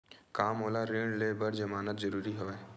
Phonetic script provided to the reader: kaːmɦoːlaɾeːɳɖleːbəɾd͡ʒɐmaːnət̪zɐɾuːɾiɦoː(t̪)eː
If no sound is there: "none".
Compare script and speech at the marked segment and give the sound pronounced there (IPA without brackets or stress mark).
none